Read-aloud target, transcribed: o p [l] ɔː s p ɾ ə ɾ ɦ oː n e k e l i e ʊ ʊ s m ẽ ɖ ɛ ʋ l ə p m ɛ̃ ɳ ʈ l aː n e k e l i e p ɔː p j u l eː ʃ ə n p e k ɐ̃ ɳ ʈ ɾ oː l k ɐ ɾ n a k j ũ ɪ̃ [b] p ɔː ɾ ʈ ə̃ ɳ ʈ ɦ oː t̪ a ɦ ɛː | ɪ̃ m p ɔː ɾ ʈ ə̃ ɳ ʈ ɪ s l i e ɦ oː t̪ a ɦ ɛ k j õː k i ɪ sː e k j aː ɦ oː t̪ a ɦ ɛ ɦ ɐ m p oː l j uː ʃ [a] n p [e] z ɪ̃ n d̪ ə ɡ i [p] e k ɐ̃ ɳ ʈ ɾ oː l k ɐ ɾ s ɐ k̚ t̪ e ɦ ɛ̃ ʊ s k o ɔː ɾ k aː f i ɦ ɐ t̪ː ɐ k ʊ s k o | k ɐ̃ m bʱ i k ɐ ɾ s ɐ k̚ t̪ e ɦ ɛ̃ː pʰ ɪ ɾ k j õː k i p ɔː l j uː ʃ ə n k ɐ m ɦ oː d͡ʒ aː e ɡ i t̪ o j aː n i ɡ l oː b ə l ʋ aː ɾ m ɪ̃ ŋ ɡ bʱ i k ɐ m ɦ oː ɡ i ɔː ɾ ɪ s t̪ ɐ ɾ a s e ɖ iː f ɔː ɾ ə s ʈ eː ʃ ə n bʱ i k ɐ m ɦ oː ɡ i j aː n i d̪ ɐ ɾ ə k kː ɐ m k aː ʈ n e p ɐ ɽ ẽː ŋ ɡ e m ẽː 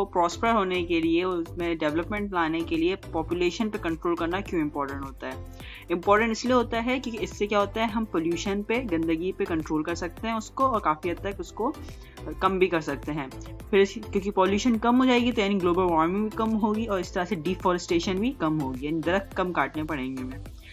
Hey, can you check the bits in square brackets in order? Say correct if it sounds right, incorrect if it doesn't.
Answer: incorrect: ɾ, incorrect: m, incorrect: ə, correct, correct

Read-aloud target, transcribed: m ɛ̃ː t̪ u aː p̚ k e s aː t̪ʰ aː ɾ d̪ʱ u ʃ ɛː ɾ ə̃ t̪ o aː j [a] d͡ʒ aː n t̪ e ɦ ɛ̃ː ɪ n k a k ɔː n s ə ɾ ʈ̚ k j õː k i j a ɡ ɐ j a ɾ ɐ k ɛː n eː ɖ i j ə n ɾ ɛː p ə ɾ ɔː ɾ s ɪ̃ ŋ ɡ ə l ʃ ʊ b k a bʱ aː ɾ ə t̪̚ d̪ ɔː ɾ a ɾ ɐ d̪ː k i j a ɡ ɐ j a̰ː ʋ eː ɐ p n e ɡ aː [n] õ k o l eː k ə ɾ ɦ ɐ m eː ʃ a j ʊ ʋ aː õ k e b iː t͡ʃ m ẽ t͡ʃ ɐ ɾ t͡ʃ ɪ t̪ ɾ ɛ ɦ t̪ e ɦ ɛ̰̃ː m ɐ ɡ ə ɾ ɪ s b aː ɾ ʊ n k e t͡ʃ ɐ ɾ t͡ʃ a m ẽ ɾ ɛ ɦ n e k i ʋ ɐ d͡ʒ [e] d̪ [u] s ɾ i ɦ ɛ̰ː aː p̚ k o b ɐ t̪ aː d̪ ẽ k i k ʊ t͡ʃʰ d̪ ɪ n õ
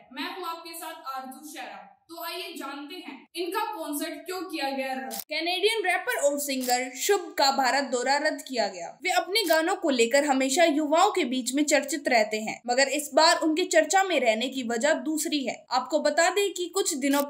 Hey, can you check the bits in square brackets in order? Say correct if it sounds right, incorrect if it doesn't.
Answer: incorrect: e, correct, incorrect: a, incorrect: uː

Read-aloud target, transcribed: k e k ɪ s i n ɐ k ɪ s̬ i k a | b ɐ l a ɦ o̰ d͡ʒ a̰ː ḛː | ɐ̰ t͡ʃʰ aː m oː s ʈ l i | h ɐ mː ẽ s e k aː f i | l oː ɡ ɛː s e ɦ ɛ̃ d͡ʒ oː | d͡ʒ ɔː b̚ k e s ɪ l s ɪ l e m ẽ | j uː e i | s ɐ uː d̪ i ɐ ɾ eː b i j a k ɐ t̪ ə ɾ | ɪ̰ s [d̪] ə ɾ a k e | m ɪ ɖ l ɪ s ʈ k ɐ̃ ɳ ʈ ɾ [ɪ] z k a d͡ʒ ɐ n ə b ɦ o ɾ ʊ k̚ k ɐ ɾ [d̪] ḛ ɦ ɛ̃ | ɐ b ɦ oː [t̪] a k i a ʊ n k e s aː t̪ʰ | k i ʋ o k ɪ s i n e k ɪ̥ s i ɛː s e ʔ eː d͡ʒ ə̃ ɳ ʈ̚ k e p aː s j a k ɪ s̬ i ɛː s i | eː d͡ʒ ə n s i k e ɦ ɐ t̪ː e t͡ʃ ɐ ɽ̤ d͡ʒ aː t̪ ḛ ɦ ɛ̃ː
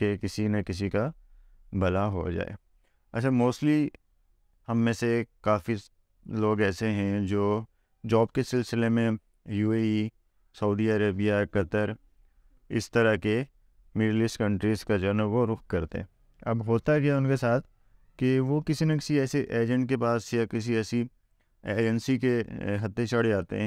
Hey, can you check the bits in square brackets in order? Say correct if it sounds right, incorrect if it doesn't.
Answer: incorrect: t̪, incorrect: i, incorrect: t̪, correct

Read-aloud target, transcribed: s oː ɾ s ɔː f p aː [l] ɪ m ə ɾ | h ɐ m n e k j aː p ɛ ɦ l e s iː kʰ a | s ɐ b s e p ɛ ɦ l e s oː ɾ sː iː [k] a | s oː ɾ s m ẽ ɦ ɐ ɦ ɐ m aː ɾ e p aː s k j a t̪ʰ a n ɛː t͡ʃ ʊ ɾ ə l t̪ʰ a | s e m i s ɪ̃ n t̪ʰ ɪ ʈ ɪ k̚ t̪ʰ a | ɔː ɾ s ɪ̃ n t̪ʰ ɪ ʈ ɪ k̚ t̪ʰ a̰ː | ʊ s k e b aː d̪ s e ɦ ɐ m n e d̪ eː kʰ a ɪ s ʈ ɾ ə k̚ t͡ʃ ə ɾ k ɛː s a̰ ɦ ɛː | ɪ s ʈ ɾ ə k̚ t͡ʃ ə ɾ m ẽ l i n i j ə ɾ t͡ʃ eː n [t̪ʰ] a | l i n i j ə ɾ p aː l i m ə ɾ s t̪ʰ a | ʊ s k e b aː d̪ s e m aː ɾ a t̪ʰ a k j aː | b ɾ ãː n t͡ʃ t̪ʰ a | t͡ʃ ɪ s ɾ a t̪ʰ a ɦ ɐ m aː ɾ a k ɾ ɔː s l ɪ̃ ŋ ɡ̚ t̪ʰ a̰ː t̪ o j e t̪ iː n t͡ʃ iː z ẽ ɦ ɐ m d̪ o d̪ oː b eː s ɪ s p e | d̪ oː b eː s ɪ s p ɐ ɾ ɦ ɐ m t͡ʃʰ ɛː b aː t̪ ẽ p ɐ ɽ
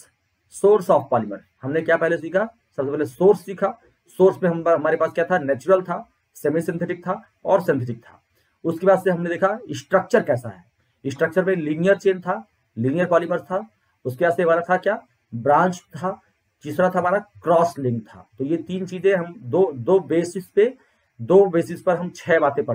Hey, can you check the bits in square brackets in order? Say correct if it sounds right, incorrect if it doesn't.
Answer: correct, incorrect: kʰ, correct

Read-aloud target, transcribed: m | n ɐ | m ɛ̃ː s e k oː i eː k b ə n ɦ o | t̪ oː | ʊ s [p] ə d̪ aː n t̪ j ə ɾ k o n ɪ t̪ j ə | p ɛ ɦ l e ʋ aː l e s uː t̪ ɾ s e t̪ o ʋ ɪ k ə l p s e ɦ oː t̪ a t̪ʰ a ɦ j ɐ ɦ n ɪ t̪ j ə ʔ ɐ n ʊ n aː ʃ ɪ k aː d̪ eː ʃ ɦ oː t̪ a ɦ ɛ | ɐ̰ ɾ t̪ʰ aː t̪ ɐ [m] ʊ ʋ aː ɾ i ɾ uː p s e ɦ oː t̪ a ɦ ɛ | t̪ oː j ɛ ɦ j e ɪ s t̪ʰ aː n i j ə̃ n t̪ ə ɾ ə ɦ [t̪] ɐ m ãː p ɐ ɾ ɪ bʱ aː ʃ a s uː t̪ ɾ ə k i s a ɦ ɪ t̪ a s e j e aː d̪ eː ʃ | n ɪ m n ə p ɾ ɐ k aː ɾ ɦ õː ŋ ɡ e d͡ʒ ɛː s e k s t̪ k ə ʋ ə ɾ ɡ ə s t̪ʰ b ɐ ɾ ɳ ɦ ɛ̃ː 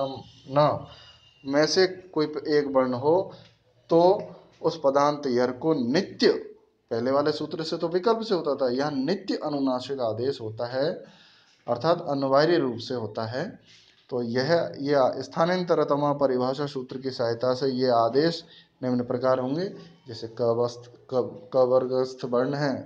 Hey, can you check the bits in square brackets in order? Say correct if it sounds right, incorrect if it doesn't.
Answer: correct, incorrect: n, correct

